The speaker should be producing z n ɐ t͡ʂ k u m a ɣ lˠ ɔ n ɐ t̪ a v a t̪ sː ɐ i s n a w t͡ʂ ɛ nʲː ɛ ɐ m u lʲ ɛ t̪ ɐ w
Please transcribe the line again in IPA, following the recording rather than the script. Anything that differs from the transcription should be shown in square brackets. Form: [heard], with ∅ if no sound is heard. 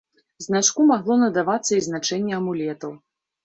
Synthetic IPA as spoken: z n [a] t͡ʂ k u m a ɣ lˠ ɔ n ɐ [d̪] a v a t̪ sː ɐ i [z] n a [∅] t͡ʂ ɛ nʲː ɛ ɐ m u lʲ ɛ t̪ ɐ w